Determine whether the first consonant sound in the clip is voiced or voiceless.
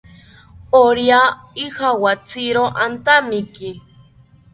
voiced